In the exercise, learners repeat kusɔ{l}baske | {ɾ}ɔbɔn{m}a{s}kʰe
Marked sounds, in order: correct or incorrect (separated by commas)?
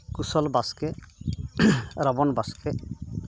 correct, correct, incorrect, correct